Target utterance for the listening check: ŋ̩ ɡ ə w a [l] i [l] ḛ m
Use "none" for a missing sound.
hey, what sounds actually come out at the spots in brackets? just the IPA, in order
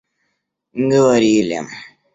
ɾ, l

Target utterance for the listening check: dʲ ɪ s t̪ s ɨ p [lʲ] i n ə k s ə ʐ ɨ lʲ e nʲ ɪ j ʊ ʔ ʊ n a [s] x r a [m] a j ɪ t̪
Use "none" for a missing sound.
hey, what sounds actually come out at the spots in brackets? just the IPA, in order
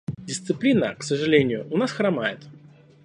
lʲ, s, m

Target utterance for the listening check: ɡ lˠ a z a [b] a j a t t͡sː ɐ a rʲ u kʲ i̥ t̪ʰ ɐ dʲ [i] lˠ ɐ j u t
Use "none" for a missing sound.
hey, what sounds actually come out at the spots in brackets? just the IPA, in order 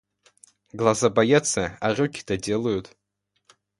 b, e

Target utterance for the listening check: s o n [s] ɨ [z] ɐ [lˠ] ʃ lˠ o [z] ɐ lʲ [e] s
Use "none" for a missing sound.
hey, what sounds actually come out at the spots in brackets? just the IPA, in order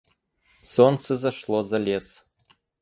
s, z, none, z, e

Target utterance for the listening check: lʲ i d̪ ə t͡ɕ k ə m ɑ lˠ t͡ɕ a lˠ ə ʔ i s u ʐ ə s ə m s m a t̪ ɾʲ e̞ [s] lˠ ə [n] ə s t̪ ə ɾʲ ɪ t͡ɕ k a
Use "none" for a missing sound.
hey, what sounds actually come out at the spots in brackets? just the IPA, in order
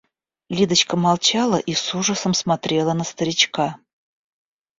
none, n

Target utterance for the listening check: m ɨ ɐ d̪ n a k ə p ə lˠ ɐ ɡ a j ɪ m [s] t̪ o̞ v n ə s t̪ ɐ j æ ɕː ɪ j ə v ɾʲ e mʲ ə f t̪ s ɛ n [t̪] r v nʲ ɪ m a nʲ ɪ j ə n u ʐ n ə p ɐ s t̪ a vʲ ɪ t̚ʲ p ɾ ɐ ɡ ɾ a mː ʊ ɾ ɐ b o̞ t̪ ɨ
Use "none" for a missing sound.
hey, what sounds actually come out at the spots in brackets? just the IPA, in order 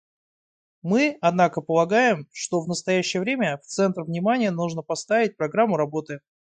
ʂ, t̪

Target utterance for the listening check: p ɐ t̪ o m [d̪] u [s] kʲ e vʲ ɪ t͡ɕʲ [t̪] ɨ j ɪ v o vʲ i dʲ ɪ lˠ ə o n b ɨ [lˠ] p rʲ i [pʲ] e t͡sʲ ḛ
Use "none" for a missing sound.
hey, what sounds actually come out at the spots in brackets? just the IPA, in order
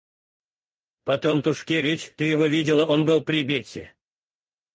t̪, ʂ, t̪, lˠ, bʲ

